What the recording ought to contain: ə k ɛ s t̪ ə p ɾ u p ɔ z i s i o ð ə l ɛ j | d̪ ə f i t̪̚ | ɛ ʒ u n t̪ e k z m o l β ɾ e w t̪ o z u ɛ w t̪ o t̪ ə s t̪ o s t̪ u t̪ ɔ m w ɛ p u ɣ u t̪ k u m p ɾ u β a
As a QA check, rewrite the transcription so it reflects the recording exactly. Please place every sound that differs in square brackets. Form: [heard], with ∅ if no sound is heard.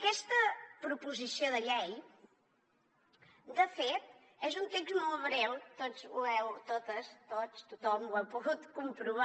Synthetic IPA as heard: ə k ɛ s t̪ ə p ɾ u p [u] z i s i o ð ə [ʎ] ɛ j | d̪ ə f [e] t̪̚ | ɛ [z] u n t̪ e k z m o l β ɾ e w t̪ o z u ɛ w t̪ o t̪ ə s t̪ o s t̪ u t̪ ɔ m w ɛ p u ɣ u t̪ k u m p ɾ u β a